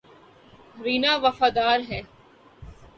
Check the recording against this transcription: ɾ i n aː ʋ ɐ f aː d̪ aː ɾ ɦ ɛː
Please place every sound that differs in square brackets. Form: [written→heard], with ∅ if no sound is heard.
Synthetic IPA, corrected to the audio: ɾ [i→iː] n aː ʋ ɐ f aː d̪ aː ɾ ɦ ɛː